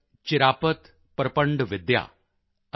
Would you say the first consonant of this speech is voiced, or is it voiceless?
voiceless